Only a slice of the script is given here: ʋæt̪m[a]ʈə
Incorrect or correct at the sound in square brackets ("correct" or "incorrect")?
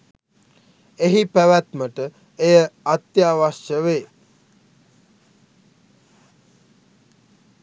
incorrect